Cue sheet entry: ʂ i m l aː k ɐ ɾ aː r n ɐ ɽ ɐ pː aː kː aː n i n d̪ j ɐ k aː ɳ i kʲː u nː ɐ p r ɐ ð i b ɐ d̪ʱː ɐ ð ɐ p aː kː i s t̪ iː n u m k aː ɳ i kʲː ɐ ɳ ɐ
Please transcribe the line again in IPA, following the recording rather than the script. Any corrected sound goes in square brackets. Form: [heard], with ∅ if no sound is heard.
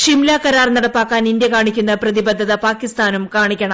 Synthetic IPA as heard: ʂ i m l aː k ɐ ɾ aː r n ɐ ɽ ɐ pː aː kː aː n i n d̪ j ɐ k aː ɳ i kʲː u nː ɐ p r ɐ ð i b ɐ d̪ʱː ɐ ð ɐ p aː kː i s t̪ [aː] n u m k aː ɳ i kʲː ɐ ɳ ɐ